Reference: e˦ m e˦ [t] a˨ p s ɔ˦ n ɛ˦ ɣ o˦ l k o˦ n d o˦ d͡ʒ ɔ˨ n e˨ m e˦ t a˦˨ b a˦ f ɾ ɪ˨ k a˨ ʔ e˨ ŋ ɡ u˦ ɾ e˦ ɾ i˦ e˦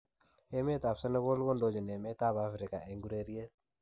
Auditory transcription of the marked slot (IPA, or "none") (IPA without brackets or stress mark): t